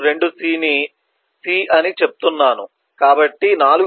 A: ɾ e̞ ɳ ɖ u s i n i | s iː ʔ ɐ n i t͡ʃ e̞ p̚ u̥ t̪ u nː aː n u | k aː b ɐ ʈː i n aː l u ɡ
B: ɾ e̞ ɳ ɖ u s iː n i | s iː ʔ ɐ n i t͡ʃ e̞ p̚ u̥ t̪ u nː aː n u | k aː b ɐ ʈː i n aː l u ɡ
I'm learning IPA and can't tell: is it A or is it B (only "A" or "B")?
B